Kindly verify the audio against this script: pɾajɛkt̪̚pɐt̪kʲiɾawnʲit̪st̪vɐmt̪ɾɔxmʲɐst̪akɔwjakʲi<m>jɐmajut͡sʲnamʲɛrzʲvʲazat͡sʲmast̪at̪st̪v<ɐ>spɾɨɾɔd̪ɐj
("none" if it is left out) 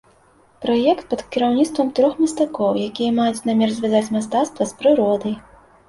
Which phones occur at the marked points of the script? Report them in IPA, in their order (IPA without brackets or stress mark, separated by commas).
none, ɐ